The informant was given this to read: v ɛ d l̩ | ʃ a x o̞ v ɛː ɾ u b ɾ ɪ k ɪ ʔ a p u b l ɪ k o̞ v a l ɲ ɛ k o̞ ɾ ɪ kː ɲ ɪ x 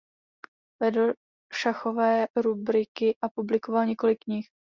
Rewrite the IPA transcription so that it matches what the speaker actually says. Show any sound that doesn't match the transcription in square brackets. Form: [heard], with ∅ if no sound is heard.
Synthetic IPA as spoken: v ɛ d l̩ | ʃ a x o̞ v ɛː ɾ u b ɾ ɪ k ɪ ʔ a p u b l ɪ k o̞ v a l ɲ ɛ k o̞ [l] ɪ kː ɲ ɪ x